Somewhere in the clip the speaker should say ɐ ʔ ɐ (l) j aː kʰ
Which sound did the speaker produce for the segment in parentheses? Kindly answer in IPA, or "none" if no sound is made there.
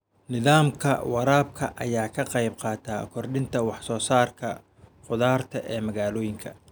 none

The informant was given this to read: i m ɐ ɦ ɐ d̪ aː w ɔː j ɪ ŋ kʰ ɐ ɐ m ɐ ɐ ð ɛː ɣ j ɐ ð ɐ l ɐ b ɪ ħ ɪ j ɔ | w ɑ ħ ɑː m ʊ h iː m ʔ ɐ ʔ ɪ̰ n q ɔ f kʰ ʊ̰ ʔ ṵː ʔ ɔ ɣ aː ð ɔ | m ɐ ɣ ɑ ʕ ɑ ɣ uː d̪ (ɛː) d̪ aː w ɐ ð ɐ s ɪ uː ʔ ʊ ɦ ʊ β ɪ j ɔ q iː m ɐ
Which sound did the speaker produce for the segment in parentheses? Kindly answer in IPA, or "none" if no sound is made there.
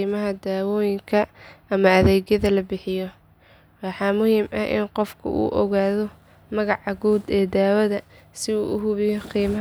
ɛː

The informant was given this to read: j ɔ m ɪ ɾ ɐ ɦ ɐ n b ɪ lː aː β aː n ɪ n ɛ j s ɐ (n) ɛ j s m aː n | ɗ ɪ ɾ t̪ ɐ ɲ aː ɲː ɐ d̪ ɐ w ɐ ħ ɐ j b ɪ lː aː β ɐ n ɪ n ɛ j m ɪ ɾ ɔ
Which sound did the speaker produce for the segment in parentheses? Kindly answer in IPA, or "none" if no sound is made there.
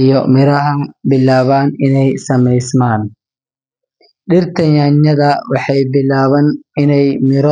m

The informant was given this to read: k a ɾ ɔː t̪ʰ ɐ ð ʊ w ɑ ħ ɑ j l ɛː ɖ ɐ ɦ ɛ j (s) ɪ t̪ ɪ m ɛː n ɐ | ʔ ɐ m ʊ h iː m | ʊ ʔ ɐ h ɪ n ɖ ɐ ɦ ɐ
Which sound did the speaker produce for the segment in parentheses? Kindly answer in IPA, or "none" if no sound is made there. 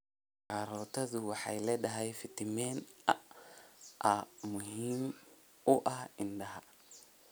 f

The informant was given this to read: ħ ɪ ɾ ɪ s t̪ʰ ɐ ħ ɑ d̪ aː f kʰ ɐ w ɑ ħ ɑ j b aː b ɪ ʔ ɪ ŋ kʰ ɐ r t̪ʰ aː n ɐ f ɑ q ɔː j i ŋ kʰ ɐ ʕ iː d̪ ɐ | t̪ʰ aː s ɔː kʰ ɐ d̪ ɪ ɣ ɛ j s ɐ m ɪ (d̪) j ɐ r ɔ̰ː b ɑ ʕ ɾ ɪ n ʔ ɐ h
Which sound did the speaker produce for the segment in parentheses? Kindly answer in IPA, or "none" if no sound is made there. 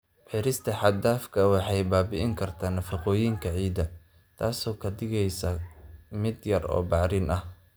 d̪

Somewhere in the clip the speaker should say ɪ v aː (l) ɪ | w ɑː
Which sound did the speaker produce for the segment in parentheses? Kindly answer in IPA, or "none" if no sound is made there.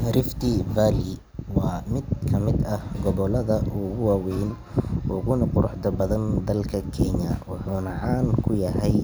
l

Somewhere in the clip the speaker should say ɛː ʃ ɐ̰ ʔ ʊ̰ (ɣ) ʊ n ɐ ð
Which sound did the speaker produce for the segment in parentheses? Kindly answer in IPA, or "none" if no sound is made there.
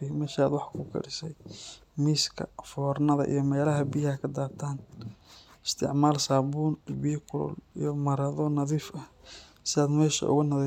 ɣ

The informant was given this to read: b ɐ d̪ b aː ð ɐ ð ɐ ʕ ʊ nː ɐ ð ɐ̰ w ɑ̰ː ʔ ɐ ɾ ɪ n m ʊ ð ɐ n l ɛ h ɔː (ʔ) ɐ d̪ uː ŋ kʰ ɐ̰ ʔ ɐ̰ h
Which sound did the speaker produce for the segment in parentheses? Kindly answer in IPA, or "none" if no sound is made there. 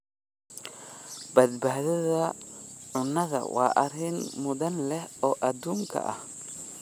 ʔ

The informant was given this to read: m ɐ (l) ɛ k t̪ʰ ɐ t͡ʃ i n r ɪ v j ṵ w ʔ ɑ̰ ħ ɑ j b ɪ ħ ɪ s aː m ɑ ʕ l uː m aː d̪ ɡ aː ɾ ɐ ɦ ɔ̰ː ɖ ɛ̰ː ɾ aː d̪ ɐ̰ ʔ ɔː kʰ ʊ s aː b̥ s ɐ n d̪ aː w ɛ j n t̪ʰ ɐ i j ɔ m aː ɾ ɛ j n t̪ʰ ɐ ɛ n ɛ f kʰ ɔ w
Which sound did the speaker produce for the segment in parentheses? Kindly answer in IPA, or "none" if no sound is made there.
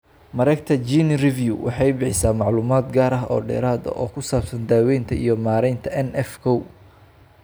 ɾ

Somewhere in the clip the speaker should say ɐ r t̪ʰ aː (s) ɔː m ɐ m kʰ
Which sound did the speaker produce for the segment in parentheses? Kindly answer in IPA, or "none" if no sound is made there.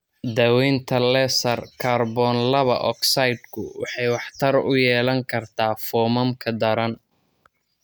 f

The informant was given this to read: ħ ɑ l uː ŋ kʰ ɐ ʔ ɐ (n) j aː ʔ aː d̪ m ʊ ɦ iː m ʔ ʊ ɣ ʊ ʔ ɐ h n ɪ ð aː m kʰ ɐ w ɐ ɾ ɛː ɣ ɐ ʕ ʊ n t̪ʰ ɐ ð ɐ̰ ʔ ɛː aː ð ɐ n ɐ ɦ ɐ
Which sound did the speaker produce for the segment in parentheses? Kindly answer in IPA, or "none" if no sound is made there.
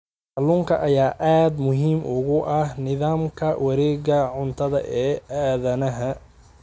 none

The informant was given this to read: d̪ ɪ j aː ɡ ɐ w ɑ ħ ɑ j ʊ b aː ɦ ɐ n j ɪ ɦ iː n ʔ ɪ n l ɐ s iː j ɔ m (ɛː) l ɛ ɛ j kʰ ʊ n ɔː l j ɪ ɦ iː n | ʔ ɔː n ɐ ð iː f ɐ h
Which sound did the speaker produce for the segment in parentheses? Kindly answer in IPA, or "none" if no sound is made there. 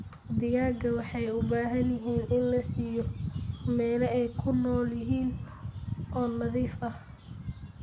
ɛː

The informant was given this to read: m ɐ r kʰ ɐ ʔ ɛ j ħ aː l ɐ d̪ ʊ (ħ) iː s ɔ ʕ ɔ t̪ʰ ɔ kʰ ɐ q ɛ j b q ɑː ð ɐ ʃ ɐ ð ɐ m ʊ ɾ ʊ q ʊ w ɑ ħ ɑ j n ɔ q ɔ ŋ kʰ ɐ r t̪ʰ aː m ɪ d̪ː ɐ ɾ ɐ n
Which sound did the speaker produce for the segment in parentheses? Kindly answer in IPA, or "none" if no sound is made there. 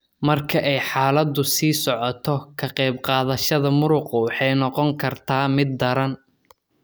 s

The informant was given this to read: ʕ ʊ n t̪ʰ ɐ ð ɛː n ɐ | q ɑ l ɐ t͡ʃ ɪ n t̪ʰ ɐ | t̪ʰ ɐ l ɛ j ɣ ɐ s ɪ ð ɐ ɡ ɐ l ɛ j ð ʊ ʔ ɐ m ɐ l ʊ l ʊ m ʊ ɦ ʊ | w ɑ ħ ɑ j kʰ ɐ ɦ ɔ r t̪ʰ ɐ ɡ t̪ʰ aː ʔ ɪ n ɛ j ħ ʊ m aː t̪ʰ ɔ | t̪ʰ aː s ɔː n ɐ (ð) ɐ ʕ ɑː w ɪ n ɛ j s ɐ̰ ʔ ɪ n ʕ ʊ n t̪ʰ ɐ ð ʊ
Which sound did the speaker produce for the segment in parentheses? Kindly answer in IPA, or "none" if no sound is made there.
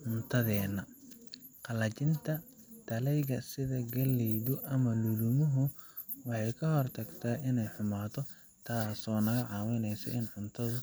ɣ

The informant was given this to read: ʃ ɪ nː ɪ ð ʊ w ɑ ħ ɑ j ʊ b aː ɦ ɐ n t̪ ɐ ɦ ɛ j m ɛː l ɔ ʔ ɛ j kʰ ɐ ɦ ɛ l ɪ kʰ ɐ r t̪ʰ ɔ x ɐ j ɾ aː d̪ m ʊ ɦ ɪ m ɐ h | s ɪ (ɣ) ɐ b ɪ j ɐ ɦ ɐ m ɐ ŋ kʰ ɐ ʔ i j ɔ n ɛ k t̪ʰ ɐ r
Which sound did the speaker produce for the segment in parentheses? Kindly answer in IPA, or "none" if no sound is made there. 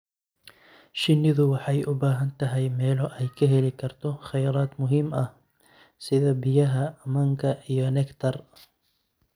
ð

